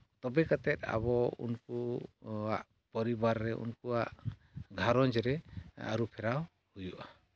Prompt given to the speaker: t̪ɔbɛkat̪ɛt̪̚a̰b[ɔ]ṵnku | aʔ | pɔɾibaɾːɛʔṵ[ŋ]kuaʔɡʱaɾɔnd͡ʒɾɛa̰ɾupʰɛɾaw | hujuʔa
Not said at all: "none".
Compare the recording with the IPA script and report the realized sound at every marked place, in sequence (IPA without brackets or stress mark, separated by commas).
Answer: ɔ, n